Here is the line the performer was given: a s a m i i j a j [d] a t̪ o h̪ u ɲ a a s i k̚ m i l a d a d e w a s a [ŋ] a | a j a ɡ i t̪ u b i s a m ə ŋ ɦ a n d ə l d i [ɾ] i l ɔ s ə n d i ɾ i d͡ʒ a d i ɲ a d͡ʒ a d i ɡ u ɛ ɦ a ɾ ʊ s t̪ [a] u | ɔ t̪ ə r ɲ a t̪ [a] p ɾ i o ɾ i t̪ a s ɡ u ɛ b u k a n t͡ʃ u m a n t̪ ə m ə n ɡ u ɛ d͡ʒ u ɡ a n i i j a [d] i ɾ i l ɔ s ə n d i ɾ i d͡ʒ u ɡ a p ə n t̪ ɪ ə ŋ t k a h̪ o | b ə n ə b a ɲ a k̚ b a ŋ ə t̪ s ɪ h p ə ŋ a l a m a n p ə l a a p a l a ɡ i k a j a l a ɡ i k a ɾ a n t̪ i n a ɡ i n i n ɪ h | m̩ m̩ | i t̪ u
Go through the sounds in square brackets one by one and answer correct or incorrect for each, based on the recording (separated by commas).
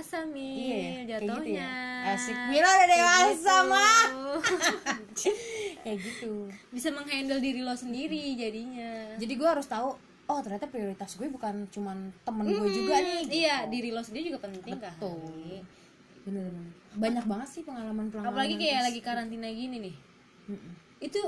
incorrect, incorrect, correct, correct, correct, correct